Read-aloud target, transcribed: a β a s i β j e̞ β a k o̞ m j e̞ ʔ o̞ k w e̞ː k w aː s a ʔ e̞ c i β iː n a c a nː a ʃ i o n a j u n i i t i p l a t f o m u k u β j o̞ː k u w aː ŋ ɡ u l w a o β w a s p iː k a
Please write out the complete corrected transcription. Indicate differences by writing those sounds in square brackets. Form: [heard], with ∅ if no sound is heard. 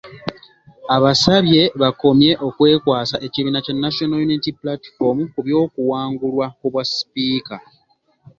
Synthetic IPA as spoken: a β a s [a] β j e̞ β a k o̞ m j e̞ ʔ o̞ k w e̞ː k w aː s a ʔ e̞ c i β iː n a c a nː a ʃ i o n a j u n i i t i p l a t f o m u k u β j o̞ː k u w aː ŋ ɡ u l w a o β w a s p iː k a